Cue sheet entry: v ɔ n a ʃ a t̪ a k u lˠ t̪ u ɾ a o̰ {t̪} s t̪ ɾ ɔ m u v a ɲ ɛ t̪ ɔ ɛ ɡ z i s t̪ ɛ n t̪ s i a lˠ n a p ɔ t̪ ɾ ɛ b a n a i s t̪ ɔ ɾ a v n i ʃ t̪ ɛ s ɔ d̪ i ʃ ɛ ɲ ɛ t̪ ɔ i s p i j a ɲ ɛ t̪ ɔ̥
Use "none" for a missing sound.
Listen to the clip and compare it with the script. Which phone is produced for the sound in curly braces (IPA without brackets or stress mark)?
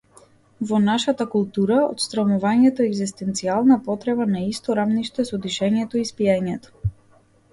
t̪